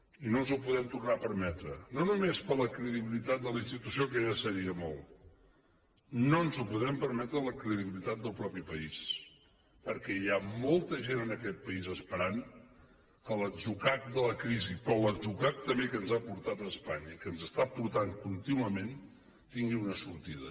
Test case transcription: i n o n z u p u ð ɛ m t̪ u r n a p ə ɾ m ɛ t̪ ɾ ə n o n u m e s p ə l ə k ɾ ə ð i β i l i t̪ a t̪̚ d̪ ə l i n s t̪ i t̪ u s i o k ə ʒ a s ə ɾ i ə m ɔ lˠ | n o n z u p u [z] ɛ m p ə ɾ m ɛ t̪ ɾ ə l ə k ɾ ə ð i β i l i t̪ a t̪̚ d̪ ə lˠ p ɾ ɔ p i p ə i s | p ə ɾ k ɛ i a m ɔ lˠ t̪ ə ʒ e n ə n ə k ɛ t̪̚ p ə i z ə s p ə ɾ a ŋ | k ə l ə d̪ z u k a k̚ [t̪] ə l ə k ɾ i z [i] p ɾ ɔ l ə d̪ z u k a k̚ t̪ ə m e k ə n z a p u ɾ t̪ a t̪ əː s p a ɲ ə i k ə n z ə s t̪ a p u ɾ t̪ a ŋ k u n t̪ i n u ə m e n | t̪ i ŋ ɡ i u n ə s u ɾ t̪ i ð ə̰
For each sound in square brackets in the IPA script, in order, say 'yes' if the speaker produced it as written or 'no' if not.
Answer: no, no, yes

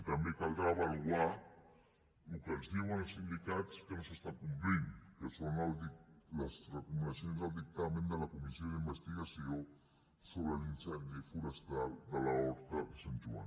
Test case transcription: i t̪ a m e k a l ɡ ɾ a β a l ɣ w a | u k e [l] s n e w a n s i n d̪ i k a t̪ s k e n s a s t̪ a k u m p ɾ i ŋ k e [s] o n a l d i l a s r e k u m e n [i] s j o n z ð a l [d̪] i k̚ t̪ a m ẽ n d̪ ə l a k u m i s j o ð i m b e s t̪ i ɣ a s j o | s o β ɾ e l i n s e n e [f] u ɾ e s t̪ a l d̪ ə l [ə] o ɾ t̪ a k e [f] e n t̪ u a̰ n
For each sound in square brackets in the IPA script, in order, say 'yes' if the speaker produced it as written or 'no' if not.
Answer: yes, yes, no, yes, yes, no, no

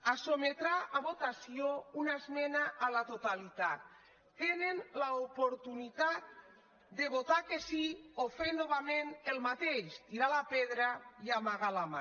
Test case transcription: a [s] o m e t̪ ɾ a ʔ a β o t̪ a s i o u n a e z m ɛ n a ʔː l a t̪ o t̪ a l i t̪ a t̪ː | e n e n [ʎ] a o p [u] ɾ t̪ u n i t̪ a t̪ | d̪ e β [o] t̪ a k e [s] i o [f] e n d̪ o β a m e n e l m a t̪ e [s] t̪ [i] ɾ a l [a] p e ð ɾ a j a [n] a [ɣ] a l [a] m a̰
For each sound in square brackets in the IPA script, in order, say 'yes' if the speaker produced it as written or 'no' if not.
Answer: yes, no, no, yes, yes, yes, no, yes, yes, no, yes, yes

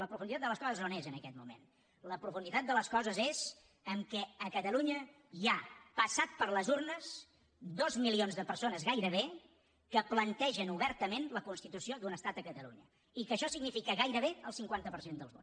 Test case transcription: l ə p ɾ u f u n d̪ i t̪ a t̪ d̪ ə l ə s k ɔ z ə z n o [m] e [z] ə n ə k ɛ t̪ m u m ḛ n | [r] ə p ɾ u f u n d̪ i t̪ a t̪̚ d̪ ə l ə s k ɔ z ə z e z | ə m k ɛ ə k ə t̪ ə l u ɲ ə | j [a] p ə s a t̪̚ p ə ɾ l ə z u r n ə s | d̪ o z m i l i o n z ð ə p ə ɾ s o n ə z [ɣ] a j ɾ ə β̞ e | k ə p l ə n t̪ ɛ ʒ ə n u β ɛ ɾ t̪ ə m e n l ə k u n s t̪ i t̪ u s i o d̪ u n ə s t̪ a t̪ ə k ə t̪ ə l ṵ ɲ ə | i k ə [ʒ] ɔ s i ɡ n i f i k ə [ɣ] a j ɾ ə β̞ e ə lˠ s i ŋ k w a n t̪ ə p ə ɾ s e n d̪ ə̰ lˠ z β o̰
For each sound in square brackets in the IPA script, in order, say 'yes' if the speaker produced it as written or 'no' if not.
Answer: no, yes, no, yes, yes, no, yes

